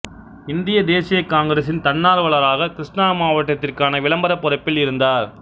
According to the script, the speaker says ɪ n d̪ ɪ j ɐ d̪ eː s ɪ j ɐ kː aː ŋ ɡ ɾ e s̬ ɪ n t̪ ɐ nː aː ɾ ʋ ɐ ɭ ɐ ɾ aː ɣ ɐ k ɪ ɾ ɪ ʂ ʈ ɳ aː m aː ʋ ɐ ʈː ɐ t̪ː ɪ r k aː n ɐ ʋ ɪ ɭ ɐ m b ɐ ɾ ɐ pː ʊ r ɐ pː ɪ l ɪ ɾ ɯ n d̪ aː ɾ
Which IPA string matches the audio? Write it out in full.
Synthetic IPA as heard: ɪ n d̪ ɪ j ɐ d̪ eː s ɪ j ɐ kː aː ŋ ɡ ɾ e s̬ ɪ n t̪ ɐ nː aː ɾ ʋ ɐ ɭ ɐ ɾ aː ɣ ɐ k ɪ ɾ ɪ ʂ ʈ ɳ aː m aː ʋ ɐ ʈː ɐ t̪ː ɪ r k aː n ɐ ʋ ɪ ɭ ɐ m b ɐ ɾ ɐ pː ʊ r ɐ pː ɪ l ɪ ɾ ɯ n d̪ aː ɾ